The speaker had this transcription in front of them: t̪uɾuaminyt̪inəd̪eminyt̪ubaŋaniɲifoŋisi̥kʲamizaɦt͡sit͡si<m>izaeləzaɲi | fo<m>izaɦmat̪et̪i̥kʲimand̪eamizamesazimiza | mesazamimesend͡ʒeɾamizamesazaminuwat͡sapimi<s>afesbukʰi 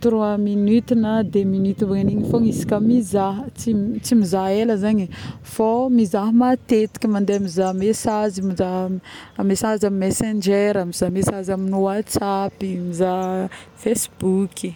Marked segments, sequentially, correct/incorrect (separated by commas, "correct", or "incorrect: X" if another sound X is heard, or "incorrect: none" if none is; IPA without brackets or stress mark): correct, correct, incorrect: z